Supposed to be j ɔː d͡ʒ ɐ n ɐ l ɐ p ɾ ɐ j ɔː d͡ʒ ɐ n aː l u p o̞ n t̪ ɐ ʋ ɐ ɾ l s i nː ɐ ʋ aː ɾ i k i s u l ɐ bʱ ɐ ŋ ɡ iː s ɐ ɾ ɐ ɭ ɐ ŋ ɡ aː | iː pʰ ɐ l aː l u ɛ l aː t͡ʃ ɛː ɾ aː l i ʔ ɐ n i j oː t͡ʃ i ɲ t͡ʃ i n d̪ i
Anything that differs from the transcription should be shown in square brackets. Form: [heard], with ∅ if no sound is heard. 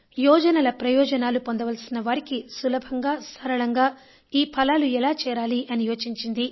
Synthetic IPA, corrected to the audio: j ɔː d͡ʒ ɐ n ɐ l ɐ p ɾ ɐ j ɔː d͡ʒ ɐ n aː l u p o̞ n [d̪] ɐ ʋ ɐ [∅] l s i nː ɐ ʋ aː ɾ i k i s u l ɐ bʱ ɐ ŋ ɡ [aː] s ɐ ɾ ɐ ɭ ɐ ŋ ɡ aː | iː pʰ ɐ l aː l u ɛ l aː t͡ʃ ɛː ɾ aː l i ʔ ɐ n i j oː t͡ʃ i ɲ t͡ʃ i n d̪ i